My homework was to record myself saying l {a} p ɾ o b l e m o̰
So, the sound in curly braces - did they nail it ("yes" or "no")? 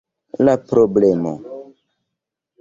yes